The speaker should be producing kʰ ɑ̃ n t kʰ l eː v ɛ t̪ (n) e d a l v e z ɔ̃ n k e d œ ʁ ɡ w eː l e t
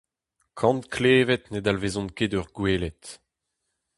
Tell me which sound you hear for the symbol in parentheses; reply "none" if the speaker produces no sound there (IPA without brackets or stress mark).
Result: n